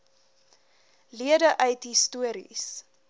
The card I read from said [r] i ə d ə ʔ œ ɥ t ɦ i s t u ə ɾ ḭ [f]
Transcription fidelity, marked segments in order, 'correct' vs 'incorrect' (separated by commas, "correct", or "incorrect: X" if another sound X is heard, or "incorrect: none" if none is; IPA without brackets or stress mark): incorrect: l, incorrect: s